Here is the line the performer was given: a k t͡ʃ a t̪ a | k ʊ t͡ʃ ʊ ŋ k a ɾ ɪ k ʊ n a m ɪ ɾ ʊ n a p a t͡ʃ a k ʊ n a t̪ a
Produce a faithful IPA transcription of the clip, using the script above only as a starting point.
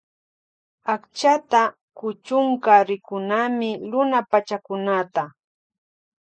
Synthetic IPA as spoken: a k t͡ʃ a t̪ a | k ʊ t͡ʃ ʊ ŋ k a ɾ ɪ k ʊ n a m ɪ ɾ ʊ n a p a t͡ʃ a k ʊ n a t̪ a